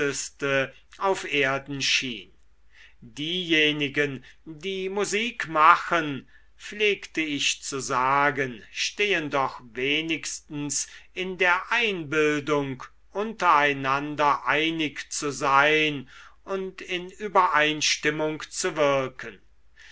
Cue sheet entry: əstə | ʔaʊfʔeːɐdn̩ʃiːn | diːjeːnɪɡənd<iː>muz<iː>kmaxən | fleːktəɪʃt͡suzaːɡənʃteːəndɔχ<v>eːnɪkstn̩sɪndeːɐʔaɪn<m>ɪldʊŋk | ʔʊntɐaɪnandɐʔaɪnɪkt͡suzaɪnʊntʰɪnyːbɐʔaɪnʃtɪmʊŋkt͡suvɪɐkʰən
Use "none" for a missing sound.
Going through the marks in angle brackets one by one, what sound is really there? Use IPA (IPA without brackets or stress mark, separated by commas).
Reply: iː, iː, v, b